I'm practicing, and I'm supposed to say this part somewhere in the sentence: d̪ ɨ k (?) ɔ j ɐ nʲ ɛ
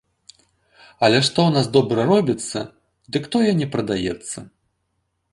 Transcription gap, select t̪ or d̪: t̪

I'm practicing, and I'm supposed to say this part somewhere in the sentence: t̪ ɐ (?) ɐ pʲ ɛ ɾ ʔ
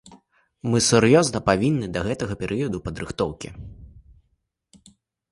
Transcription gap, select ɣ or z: ɣ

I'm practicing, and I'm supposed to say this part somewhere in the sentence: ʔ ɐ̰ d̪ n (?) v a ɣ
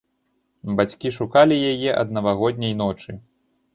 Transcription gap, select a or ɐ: ɐ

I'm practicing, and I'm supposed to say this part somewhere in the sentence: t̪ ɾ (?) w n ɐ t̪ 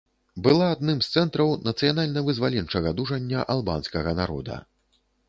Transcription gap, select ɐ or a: ɐ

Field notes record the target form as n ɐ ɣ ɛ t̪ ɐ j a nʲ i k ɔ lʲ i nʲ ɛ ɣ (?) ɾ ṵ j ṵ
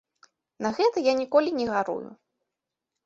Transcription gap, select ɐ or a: a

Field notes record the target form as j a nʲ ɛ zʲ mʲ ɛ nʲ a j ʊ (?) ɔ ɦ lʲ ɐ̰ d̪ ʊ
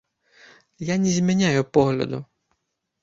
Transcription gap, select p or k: p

